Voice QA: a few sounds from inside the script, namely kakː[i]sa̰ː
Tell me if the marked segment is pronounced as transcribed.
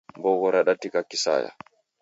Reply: yes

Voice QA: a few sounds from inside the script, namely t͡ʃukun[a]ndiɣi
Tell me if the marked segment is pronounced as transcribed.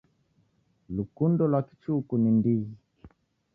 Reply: no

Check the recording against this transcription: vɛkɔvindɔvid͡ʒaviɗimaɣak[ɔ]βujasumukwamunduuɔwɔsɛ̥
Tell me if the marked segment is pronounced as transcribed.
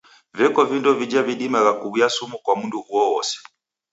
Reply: no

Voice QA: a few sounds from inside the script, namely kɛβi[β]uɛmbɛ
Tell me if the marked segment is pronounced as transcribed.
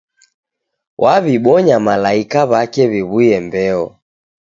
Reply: yes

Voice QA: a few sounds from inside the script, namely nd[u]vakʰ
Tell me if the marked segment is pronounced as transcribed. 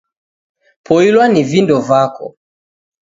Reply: no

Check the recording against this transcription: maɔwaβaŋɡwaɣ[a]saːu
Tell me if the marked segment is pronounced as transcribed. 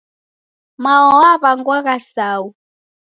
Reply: yes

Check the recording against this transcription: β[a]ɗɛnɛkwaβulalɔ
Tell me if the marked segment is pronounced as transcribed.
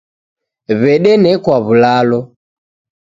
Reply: no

